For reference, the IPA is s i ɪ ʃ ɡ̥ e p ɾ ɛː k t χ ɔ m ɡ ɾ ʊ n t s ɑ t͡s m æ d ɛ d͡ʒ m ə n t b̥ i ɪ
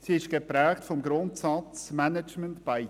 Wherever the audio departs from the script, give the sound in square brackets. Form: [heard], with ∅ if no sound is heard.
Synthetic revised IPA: s i ɪ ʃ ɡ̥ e p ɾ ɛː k t [f] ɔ m ɡ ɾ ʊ n t s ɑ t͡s m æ [n] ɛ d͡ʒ m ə n t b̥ [a] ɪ

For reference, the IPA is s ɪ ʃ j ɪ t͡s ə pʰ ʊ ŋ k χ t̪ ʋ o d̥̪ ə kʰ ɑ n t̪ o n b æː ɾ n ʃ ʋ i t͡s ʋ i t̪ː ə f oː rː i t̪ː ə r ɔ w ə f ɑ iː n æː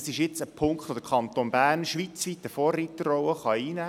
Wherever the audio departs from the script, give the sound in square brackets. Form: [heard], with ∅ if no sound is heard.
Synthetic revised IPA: s ɪ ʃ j ɪ t͡s ə pʰ ʊ ŋ k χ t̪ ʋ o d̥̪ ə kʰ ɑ n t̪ o n b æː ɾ n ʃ ʋ i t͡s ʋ i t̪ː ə f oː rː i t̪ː ə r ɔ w ə [χ] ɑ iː n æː

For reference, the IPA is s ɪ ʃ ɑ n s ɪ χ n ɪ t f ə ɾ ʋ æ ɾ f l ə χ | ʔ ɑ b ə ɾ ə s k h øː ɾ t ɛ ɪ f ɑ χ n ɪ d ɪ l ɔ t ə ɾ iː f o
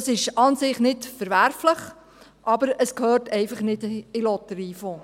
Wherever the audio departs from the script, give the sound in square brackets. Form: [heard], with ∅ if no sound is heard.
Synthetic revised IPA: s ɪ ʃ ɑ n s ɪ χ n ɪ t f ə ɾ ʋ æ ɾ f l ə χ | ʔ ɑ b ə ɾ ə s k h øː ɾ t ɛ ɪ f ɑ χ n ɪ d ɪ l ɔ t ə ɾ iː f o

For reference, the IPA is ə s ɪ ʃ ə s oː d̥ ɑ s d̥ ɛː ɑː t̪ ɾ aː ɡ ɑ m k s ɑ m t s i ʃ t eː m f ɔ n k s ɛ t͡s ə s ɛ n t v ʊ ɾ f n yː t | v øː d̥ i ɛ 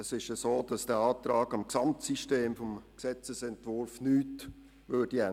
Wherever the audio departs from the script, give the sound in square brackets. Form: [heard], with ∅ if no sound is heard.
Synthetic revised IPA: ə s ɪ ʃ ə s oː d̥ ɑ s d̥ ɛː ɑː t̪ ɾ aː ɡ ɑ m k s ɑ m t s i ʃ t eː m f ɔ [m] k s ɛ t͡s ə s ɛ n t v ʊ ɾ f n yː t | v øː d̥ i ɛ

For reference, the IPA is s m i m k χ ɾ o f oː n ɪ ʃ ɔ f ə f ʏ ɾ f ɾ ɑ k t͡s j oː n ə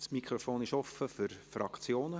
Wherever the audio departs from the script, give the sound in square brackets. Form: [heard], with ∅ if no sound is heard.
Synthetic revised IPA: s m i [∅] k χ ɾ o f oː n ɪ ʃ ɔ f ə f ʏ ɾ f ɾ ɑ k t͡s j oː n ə

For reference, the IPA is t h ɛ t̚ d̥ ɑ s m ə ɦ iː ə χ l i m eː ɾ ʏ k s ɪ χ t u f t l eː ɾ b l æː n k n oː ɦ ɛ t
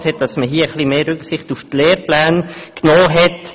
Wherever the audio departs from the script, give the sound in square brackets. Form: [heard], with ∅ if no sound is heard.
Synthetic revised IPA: t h ɛ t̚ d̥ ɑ s m ə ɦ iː ə χ l i m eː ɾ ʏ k s ɪ χ t u f t l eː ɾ [p] l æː n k n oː ɦ ɛ t

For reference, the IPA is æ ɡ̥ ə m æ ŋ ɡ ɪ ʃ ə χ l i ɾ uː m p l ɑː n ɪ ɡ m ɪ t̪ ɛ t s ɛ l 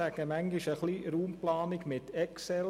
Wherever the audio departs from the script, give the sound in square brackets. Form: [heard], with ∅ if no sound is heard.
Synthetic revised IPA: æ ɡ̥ ə m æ ŋ ɡ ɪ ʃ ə χ l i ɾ uː m p l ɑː n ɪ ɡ m ɪ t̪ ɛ [k] s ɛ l

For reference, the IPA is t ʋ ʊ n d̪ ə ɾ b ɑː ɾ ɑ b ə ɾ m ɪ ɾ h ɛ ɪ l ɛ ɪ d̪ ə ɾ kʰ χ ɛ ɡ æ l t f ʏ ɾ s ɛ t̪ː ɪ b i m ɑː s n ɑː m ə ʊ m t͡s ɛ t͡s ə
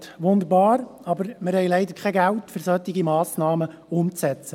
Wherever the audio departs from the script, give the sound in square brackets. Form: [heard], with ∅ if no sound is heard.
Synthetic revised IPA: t ʋ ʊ n d̪ ə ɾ b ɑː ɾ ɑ b ə ɾ m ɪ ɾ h ɛ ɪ l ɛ ɪ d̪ ə ɾ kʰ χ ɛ ɡ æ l t f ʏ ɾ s [œ] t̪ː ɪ [ɡ] i m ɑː s n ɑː m ə ʊ m t͡s ɛ t͡s ə

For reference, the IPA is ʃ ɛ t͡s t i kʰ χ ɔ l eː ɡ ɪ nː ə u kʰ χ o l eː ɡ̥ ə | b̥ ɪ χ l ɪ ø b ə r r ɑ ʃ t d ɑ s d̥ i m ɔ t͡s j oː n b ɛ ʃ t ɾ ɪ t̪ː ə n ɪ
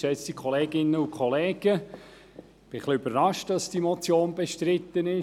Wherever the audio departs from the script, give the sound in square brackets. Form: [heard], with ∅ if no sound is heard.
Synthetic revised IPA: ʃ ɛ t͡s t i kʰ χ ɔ l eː ɡ ɪ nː ə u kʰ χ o l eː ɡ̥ ə | b̥ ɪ χ l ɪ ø b ə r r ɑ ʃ t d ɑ s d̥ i m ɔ t͡s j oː n b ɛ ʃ t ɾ ɪ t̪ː ə n ɪ

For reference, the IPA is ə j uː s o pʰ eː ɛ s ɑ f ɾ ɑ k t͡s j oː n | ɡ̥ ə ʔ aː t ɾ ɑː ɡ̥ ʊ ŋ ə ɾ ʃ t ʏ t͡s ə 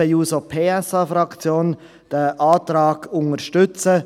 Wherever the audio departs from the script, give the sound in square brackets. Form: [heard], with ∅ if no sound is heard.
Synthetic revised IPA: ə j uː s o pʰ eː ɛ s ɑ f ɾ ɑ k t͡s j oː n | [d̥] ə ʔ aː t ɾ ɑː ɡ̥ ʊ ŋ ə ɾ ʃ t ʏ t͡s ə

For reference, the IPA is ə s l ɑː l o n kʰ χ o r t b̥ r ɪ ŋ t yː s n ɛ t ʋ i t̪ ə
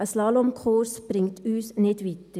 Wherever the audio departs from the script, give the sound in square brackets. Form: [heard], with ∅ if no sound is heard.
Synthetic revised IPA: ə s l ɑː l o [m] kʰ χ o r [s] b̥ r ɪ ŋ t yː s n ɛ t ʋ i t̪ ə

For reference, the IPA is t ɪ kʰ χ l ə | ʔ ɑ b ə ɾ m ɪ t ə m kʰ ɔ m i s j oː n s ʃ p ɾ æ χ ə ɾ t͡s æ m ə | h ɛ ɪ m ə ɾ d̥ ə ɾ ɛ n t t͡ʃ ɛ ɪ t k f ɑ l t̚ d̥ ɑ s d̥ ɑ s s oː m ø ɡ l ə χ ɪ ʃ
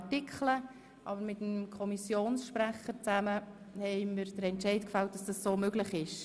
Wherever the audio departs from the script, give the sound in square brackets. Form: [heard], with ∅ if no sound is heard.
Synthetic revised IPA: t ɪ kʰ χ l ə | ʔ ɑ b ə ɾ m ɪ t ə m kʰ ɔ m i s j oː n s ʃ p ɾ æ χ ə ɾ t͡s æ m ə | h ɛ ɪ m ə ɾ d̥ ə ɾ ɛ n t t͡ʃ ɛ ɪ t k f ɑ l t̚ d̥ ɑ s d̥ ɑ s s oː m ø ɡ l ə χ ɪ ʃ

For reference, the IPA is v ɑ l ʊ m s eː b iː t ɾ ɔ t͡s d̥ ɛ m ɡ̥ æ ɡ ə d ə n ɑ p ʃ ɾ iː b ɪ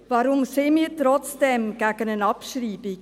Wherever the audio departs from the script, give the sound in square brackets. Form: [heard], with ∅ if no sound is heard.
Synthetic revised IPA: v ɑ [ɾ] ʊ m s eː [m] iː t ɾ ɔ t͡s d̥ ɛ m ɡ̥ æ ɡ ə [n] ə n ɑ p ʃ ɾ iː b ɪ

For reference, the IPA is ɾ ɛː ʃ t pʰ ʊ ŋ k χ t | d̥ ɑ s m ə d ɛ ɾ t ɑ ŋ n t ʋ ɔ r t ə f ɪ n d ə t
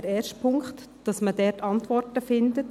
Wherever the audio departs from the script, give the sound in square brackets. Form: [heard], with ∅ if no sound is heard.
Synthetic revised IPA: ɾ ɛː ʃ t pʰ ʊ ŋ k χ t | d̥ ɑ s m ə d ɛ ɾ t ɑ [∅] n t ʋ ɔ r t ə f ɪ n d ə t

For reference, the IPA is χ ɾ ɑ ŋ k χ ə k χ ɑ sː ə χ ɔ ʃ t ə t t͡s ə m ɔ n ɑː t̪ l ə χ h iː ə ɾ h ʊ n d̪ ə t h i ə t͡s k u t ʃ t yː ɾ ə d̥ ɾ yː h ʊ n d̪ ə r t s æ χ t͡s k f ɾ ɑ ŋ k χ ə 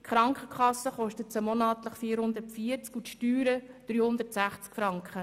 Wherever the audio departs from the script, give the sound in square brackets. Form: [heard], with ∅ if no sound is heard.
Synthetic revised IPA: χ ɾ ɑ ŋ k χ ə k χ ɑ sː ə χ ɔ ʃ t ə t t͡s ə m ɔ n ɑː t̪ l ə χ [f] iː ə ɾ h ʊ n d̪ ə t [f] i ə t͡s k u t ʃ t yː ɾ ə d̥ ɾ yː h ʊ n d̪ ə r t s æ χ t͡s k f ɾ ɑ ŋ k χ ə

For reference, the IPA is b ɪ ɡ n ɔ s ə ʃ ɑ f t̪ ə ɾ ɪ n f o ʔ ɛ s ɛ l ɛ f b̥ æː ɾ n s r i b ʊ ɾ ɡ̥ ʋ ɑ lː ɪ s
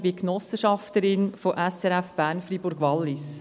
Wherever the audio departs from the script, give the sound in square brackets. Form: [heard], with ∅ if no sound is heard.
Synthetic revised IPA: b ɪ [k] n ɔ s ə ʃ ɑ f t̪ ə ɾ ɪ n f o ʔ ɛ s ɛ [ɾ] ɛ f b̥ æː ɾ n [f] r i b ʊ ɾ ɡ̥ ʋ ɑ lː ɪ s

